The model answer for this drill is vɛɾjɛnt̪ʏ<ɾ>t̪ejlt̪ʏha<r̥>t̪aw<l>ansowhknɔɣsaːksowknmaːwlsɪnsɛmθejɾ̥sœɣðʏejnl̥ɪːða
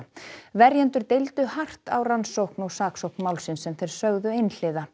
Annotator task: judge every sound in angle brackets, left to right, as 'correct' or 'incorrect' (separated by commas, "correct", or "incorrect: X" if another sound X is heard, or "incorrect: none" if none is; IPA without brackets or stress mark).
correct, correct, incorrect: r